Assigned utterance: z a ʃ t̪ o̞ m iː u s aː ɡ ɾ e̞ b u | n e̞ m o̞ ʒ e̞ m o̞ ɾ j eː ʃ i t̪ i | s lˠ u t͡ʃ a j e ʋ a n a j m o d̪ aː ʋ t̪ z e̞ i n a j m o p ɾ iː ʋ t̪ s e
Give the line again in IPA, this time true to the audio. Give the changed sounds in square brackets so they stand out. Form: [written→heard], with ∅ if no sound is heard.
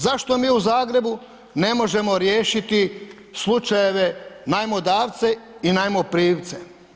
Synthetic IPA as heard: z a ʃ t̪ o̞ m iː u [s→z] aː ɡ ɾ e̞ b u | n e̞ m o̞ ʒ e̞ m o̞ ɾ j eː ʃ i t̪ i | s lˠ u t͡ʃ a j e ʋ [a→e] n a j m o d̪ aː ʋ t̪ [z→s] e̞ i n a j m o p ɾ iː ʋ t̪ s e